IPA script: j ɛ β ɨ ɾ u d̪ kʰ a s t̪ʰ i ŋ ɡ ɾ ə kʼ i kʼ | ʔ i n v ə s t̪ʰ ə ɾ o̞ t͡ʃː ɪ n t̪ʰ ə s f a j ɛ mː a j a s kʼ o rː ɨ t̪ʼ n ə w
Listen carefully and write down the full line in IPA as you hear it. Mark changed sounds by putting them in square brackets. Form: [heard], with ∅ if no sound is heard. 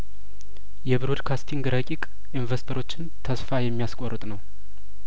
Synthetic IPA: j ɛ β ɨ ɾ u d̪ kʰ a s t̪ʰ i ŋ ɡ ɾ ə kʼ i kʼ | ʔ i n v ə s t̪ʰ ə ɾ o̞ t͡ʃː ɪ n t̪ʰ ə s f a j ɛ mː [i] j a s kʼ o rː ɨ t̪ʼ n ə w

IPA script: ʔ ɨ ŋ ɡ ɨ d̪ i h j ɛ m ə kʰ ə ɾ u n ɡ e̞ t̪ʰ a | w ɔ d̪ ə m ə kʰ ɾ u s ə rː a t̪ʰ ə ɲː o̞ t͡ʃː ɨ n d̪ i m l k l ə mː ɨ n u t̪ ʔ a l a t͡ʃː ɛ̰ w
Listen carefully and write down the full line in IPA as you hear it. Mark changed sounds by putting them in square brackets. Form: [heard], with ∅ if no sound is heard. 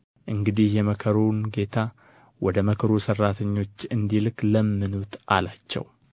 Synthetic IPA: ʔ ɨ ŋ ɡ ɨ d̪ i h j ɛ m ə kʰ ə ɾ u n ɡ e̞ t̪ʰ a | w ɔ d̪ ə m ə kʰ ɾ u s ə rː a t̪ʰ ə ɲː o̞ t͡ʃː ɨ n d̪ i [∅] l k l ə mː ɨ n u t̪ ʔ a l a t͡ʃː ɛ̰ w

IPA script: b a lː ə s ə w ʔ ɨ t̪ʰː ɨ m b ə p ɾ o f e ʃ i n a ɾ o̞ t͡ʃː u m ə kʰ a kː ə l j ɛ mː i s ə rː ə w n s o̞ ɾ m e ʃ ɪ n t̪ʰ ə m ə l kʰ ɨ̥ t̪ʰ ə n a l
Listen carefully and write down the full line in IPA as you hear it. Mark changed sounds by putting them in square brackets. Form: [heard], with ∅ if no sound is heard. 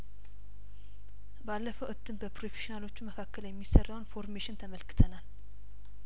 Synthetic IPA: b a lː ə [f] ə w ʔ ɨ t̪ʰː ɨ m b ə p ɾ o f e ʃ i n a [l] o̞ t͡ʃː u m ə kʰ a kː ə l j ɛ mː i s ə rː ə w n [f] o̞ ɾ m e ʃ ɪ n t̪ʰ ə m ə l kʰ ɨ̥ t̪ʰ ə n a l

